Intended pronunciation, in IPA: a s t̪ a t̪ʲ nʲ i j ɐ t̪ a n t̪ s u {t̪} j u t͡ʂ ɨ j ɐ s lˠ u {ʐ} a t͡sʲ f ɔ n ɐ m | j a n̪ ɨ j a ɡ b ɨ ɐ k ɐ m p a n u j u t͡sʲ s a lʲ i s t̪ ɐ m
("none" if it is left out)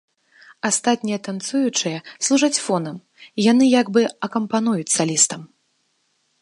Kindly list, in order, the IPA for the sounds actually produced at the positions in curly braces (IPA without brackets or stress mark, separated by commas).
none, ʐ